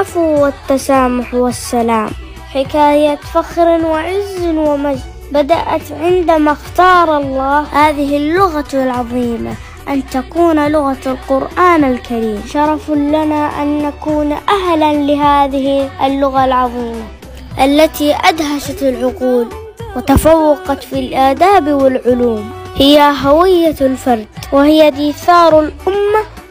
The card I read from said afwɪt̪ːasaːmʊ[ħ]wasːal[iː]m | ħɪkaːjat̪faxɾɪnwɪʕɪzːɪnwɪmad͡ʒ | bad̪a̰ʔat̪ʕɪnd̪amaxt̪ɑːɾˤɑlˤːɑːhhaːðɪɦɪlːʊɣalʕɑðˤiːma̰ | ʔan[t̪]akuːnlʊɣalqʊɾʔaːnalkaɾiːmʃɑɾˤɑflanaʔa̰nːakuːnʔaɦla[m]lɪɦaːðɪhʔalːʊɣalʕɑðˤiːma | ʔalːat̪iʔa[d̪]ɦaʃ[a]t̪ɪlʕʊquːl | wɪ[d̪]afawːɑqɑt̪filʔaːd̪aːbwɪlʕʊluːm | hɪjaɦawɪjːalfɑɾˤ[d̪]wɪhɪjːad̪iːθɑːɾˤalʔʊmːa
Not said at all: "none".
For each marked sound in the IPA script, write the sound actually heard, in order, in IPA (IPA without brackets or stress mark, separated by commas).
ħ, aː, t̪, n, d̪, a, t̪, d̪